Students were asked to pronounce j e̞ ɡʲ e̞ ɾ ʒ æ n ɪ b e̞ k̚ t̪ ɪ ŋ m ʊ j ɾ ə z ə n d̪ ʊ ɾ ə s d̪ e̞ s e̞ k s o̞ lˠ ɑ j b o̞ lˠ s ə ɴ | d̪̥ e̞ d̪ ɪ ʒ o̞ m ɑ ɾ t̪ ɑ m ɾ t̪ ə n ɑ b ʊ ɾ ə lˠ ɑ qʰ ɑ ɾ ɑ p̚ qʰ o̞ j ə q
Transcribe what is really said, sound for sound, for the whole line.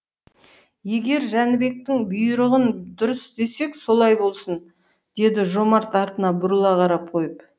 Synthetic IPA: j e̞ ɡʲ e̞ ɾ ʒ æ n ɪ b e̞ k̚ t̪ ɪ ŋ b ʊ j ɾ ə ʁ ə n d̪ ʊ ɾ ə s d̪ e̞ s e̞ k s o̞ lˠ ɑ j b o̞ lˠ s ə n | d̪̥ e̞ d̪ ɪ ʒ o̞ m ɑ ɾ t̪ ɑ ɾ t̪ ə n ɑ b ʊ ɾ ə lˠ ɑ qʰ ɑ ɾ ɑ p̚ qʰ o̞ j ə p

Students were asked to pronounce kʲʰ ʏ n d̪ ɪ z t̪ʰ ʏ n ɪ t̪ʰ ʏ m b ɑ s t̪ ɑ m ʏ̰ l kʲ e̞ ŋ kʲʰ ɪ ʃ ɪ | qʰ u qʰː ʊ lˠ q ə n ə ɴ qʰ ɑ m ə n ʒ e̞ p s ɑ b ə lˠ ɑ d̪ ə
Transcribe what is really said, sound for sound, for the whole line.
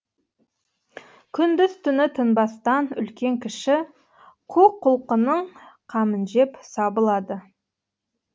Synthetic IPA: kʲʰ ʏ n d̪ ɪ z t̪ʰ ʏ n ɪ t̪ʰ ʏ n b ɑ s t̪ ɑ n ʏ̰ l kʲ e̞ ŋ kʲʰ ɪ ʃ ɪ | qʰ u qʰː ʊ lˠ q ə n ə ɴ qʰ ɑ m ə n ʒ e̞ p s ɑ b ə lˠ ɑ d̪ ə

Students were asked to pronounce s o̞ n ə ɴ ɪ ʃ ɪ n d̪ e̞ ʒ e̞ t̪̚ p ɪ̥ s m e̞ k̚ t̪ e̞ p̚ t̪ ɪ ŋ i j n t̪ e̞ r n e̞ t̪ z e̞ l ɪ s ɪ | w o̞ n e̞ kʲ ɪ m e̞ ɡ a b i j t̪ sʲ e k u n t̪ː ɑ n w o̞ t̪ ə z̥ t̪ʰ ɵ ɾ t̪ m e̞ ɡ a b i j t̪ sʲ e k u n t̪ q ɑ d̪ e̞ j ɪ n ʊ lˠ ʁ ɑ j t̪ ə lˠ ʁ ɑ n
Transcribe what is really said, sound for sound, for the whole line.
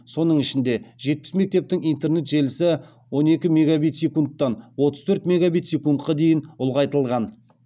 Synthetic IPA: s o̞ n ə ɴ ɪ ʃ ɪ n d̪ e̞ ʒ e̞ t̪̚ p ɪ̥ s m e̞ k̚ t̪ e̞ p̚ t̪ ɪ ŋ i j n t̪ e̞ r n e̞ t̪ ʒ e̞ l ɪ s ɪ | w o̞ n e̞ kʲ ɪ m e̞ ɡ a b i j t̪ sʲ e k u n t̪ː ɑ n w o̞ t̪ ə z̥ t̪ʰ ɵ ɾ t̪ m e̞ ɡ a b i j t̪ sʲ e k u n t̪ q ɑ d̪ e̞ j ɪ n ʊ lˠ ʁ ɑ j t̪ ə lˠ ʁ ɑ n

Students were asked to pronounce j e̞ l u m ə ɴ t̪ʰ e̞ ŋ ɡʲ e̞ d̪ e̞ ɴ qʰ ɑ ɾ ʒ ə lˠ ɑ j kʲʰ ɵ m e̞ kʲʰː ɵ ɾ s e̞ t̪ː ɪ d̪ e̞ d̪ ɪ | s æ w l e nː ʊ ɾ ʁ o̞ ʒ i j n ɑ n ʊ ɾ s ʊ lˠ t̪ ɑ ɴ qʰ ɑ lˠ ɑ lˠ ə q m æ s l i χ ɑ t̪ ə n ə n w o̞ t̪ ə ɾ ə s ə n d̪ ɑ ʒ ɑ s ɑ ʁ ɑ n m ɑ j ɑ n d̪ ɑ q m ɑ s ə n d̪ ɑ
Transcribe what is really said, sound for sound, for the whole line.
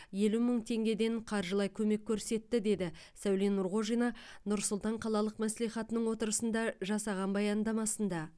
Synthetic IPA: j e̞ l u m ə ɴ t̪ʰ e̞ ŋ ɡʲ e̞ d̪ e̞ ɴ qʰ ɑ ɾ ʒ ə lˠ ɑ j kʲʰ ɵ m e̞ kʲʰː ɵ ɾ s e̞ t̪ː ɪ d̪ e̞ d̪ ɪ | s æ w l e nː ʊ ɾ ʁ o̞ ʒ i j n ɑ n ʊ ɾ s ʊ lˠ t̪ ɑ ɴ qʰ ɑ lˠ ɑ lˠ ə q m æ s l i χ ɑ t̪ ə n ə ɴ w o̞ t̪ ə ɾ ə s ə n d̪ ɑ ʒ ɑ s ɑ ʁ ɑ n b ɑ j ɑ n d̪ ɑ m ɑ s ə n d̪ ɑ

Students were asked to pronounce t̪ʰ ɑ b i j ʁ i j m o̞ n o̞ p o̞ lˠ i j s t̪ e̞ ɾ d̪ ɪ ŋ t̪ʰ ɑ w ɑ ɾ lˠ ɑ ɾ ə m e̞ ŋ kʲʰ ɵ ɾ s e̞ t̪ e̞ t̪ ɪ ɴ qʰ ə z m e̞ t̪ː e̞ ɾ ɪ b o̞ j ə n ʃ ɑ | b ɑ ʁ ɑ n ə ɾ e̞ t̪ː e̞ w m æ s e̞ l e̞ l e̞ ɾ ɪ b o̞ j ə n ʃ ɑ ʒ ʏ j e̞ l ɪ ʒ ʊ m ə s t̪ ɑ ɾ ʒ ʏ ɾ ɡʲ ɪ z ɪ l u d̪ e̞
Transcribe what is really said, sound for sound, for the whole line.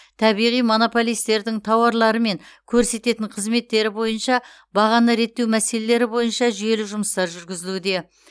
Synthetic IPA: t̪ʰ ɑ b i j ʁ i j m o̞ n o̞ p o̞ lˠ i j s t̪ e̞ ɾ d̪ ɪ ŋ t̪ʰ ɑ w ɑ ɾ lˠ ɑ ɾ ə m e̞ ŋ kʲʰ ɵ ɾ s e̞ t̪ e̞ t̪ ɪ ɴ qʰ ə z m e̞ t̪ː e̞ ɾ ɪ b o̞ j ə n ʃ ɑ | b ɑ ʁ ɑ n ə ɾ e̞ t̪ː e̞ w m æ s e̞ l e̞ l e̞ ɾ ɪ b o̞ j ə n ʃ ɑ ʒ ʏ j e̞ l ɪ ʒ ʊ m ə s t̪ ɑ ɾ ʒ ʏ ɾ ɡʲ ɪ z ɪ l u d̪ e̞

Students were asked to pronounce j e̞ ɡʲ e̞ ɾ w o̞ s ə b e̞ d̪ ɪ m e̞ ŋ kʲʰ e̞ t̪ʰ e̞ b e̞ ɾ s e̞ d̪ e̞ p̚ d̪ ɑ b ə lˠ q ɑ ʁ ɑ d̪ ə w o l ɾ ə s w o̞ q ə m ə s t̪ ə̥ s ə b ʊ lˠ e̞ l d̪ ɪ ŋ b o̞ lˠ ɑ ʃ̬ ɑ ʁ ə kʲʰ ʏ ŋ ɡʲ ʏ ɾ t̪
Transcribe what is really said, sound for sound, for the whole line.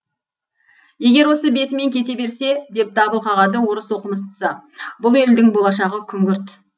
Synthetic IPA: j e̞ ɡʲ e̞ ɾ w o̞ s ə b e̞ t̪ ɪ m e̞ ŋ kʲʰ e̞ t̪ e̞ b e̞ ɾ s e̞ d̪ e̞ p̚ d̪ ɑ b ə lˠ q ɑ ʁ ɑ d̪ ə w o ɾ ə s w o̞ q ə m ə s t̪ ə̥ s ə b ʊ lˠ e̞ l d̪ ɪ ŋ b o̞ lˠ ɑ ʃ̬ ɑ ʁ ə kʲʰ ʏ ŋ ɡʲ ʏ ɾ t̪

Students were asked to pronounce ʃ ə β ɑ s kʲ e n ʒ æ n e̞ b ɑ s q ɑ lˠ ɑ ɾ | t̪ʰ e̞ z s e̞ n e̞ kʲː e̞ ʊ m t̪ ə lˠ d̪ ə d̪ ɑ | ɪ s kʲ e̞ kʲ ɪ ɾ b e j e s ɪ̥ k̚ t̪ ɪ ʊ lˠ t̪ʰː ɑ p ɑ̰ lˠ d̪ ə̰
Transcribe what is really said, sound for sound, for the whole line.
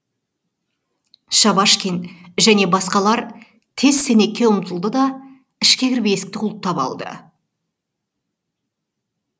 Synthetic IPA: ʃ ɑ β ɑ ʃ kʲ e n ʒ æ n e̞ b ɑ s q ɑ lˠ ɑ ɾ | t̪ʰ e̞ z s e̞ n e̞ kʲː e̞ ʊ m t̪ ə lˠ d̪ ə d̪ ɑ | ɪ ʃ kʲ e̞ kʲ ɪ ɾ b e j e s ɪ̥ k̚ t̪ ɪ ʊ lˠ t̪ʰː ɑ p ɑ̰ lˠ d̪ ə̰

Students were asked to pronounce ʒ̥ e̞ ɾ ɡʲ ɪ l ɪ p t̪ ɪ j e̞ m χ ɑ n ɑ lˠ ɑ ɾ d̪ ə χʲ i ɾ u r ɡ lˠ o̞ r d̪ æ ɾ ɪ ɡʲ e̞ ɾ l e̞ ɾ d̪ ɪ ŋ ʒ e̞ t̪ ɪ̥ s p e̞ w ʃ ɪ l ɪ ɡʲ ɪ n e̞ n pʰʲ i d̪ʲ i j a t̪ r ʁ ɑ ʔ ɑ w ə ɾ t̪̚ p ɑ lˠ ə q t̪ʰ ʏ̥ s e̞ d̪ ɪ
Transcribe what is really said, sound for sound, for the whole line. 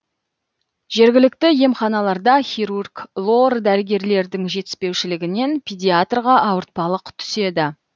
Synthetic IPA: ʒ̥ e̞ ɾ ɡʲ ɪ l ɪ k t̪ ɪ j e̞ m χ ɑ n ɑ lˠ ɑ ɾ d̪ ɑ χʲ i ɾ u r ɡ lˠ o̞ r d̪ æ ɾ ɪ ɡʲ e̞ ɾ l e̞ ɾ d̪ ɪ ŋ ʒ e̞ t̪ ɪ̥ s p e̞ w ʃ ɪ l ɪ ɡʲ ɪ n e̞ n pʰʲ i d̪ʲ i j a t̪ r ʁ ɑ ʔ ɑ w ə ɾ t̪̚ p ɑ lˠ ə q t̪ʰ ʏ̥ s e̞ d̪ ɪ

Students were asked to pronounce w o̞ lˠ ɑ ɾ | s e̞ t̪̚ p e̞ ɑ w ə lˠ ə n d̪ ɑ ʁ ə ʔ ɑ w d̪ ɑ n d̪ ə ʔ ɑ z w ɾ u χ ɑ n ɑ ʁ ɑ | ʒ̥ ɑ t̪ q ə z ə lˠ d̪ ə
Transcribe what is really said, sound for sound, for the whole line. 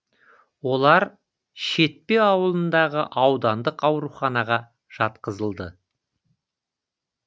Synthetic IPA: w o̞ lˠ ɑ ɾ | ʃ e̞ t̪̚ p e̞ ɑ w ə lˠ ə n d̪ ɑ ʁ ə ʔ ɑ w d̪ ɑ n d̪ ə q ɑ w ɾ u χ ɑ n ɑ ʁ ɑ | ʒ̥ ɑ t̪ q ə z ə lˠ d̪ ə

